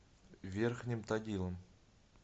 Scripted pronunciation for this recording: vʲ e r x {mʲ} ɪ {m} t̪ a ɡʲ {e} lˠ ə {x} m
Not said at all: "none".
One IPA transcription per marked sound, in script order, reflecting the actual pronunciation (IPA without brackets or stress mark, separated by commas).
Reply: nʲ, m, i, none